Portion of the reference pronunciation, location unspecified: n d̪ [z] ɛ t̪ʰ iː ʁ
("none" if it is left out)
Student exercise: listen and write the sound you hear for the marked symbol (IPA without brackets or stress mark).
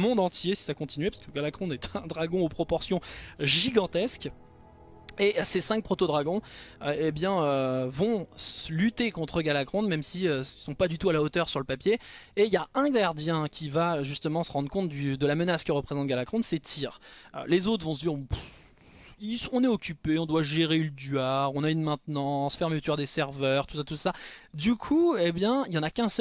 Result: s